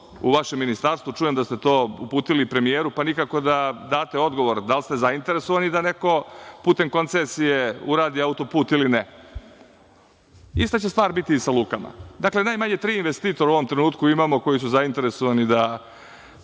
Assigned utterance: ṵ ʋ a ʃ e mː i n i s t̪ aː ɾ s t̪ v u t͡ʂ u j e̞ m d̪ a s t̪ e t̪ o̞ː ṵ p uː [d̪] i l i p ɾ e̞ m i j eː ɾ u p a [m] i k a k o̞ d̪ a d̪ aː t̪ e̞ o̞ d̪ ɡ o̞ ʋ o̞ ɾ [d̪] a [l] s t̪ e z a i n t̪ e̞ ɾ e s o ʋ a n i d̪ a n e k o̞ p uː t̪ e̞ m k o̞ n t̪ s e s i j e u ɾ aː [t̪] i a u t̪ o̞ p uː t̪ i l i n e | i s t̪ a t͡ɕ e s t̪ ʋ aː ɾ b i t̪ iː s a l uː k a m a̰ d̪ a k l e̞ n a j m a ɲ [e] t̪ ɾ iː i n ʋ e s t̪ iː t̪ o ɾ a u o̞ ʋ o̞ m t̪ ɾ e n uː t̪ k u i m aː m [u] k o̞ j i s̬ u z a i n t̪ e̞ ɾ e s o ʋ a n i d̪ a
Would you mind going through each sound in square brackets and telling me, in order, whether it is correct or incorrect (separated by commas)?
incorrect, incorrect, correct, correct, incorrect, correct, incorrect